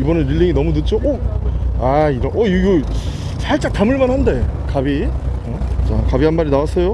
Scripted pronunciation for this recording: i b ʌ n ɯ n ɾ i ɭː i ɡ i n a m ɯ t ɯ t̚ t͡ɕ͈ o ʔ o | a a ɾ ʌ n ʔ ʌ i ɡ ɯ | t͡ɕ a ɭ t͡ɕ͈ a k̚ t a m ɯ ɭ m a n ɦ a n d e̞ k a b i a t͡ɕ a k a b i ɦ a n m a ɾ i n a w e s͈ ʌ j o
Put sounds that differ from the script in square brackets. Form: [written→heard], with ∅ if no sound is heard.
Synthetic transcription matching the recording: i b ʌ n ɯ n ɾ i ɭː i [ɡ→ŋ] i n [a→ʌ] m [ɯ→u] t ɯ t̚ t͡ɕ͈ o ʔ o | a [a→i] ɾ ʌ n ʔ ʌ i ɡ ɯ | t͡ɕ a ɭ t͡ɕ͈ a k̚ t a m ɯ ɭ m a n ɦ a n d e̞ k a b i [a→ʌ] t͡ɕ a k a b i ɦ a n m a ɾ i n a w [e→a] s͈ ʌ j o